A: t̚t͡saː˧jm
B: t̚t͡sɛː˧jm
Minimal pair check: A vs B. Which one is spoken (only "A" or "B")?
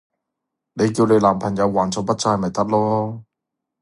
A